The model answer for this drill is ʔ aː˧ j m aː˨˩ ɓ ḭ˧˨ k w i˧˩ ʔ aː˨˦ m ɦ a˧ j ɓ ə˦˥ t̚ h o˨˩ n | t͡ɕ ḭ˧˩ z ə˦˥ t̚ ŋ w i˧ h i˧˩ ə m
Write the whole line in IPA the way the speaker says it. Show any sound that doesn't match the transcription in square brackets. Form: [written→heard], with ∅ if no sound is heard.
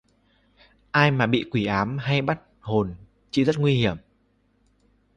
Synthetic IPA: ʔ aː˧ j m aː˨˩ ɓ ḭ˧˨ k w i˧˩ ʔ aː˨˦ m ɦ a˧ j ɓ [ə˦˥→a˦˥] t̚ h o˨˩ n | t͡ɕ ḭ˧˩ z ə˦˥ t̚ ŋ w i˧ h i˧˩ ə m